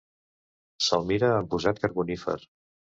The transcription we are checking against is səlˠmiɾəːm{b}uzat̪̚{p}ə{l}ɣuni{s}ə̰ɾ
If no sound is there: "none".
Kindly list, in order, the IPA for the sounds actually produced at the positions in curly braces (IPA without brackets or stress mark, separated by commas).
p, k, ɾ, f